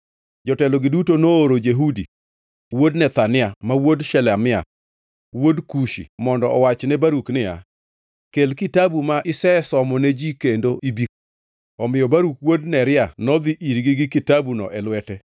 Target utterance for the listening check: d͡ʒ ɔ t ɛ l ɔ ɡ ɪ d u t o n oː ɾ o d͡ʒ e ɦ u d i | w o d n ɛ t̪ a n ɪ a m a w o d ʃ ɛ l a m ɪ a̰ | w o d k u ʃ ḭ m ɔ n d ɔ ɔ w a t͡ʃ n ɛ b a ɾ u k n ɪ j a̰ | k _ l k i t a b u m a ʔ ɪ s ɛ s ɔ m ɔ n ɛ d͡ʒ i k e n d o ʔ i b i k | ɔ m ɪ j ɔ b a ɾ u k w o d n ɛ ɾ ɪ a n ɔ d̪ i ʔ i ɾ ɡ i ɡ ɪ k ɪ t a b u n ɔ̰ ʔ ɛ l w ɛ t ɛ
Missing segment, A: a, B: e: B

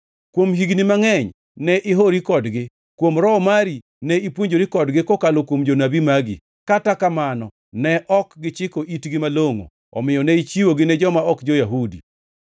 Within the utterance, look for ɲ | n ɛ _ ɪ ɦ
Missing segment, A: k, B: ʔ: B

